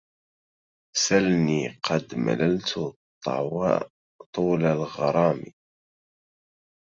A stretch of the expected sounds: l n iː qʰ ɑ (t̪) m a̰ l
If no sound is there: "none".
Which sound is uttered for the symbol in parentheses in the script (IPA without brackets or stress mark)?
d̪